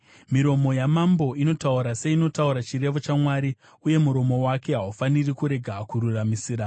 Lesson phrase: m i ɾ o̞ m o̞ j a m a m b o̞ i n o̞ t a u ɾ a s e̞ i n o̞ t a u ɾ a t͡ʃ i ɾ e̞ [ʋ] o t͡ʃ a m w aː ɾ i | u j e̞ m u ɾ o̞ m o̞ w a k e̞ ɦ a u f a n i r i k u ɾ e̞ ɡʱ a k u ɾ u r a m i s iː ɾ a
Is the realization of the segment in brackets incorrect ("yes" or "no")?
no